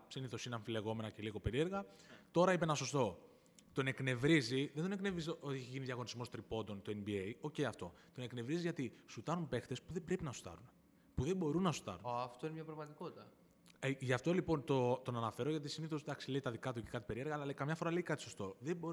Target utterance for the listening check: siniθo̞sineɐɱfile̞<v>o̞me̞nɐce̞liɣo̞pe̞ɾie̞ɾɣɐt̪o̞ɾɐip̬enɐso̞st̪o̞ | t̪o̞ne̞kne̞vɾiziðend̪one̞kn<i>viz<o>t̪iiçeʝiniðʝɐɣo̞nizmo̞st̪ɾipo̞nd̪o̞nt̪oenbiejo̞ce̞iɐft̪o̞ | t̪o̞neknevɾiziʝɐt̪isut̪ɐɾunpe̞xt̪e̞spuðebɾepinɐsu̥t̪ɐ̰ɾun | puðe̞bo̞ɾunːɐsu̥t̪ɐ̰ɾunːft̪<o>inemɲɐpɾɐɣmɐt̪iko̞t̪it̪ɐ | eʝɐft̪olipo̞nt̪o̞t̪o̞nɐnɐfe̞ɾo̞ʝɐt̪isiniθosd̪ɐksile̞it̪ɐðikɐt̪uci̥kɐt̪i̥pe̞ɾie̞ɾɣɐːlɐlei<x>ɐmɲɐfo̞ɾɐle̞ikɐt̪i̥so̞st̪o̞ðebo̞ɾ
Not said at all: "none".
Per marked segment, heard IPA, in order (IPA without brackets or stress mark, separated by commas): ɣ, e, o, o, k